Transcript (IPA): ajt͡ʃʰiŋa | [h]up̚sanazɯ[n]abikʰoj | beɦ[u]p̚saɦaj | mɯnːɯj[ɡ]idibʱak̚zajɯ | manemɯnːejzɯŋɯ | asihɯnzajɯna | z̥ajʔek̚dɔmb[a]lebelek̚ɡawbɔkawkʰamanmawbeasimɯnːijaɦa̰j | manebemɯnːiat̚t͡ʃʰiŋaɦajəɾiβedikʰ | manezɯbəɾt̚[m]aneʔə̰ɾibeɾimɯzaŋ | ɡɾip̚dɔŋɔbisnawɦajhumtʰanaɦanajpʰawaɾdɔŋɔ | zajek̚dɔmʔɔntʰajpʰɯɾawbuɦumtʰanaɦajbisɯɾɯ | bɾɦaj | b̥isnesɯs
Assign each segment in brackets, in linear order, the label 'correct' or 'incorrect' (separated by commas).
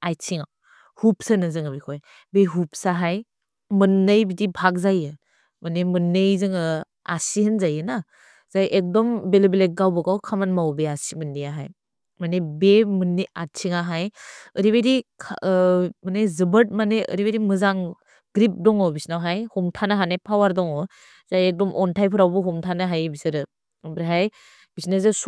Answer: correct, incorrect, correct, incorrect, incorrect, correct